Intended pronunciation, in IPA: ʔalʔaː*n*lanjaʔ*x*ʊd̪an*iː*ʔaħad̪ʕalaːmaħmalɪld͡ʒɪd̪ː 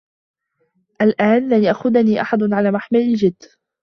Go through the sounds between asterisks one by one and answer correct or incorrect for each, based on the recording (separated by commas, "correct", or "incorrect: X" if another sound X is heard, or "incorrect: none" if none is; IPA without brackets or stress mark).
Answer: correct, correct, correct